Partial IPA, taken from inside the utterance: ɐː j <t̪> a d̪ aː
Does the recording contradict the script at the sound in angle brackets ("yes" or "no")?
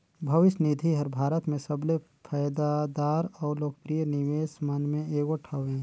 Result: yes